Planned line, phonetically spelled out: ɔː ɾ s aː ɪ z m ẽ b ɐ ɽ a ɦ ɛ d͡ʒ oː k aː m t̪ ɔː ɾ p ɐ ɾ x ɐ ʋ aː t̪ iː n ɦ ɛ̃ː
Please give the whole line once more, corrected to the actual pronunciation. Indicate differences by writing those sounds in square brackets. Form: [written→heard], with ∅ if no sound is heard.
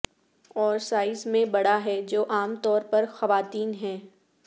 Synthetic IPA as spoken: ɔː ɾ s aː ɪ z m ẽ b ɐ ɽ a ɦ ɛ d͡ʒ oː [k→ʔ] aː m t̪ ɔː ɾ p ɐ ɾ x ɐ ʋ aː t̪ iː n ɦ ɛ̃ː